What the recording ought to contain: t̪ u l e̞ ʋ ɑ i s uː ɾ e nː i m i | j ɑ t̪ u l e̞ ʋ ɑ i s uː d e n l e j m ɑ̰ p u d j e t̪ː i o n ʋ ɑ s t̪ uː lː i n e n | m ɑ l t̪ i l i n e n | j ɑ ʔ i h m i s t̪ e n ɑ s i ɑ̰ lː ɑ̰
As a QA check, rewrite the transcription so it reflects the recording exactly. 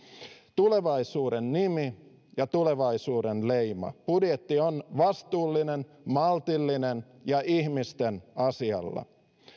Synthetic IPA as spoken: t̪ u l e̞ ʋ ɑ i s uː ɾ e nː i m i | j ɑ t̪ u l e̞ ʋ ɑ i s uː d e n l e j m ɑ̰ p u d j e t̪ː i o n ʋ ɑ s t̪ uː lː i n e n | m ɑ l t̪ i lː i n e n | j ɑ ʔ i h m i s t̪ e n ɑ s i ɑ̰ lː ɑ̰